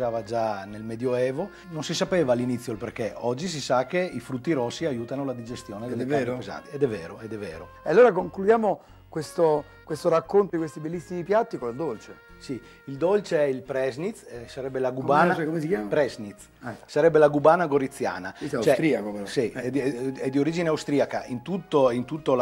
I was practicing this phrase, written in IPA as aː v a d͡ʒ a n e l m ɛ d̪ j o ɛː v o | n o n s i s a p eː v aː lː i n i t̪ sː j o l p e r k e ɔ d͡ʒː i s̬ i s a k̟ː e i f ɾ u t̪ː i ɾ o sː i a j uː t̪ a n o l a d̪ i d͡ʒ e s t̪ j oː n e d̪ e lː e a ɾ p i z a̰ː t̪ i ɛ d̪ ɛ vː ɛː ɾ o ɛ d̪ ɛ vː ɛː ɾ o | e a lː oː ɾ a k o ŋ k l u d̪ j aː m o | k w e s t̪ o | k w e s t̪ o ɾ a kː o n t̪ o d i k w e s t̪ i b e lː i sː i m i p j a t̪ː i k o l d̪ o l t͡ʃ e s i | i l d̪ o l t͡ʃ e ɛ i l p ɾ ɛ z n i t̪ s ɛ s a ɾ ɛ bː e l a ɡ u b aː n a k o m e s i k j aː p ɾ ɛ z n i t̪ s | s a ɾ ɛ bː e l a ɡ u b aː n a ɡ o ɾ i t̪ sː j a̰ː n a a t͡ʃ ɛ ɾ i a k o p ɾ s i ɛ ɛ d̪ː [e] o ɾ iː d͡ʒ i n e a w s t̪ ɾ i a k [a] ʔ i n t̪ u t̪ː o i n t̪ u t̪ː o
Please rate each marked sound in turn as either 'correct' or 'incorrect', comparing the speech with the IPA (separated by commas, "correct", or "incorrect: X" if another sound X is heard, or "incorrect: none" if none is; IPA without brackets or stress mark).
incorrect: i, correct